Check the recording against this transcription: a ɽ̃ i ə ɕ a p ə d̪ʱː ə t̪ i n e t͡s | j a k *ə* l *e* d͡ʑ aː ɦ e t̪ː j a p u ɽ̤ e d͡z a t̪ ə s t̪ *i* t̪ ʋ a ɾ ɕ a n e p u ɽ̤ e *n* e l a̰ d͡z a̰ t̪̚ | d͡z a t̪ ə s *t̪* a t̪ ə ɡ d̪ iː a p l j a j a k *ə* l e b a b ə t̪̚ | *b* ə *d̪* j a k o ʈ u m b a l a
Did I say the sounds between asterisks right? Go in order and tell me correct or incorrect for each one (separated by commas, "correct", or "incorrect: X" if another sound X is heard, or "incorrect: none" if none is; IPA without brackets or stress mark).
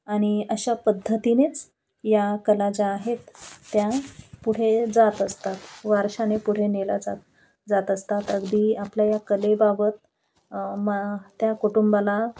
correct, incorrect: a, incorrect: a, correct, correct, correct, incorrect: m, incorrect: t̪